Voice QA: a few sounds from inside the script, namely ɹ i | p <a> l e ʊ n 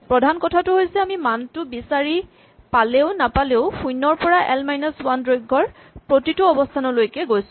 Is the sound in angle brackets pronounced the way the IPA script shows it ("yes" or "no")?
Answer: yes